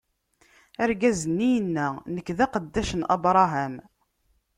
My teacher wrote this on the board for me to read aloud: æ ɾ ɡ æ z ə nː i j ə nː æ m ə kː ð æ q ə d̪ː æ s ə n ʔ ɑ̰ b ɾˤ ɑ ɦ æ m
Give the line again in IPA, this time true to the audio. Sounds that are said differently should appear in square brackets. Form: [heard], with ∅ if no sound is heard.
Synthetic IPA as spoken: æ ɾ ɡ æ z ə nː i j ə nː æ [n] ə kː ð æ q ə d̪ː æ [ʃ] ə n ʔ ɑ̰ b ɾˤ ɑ ɦ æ m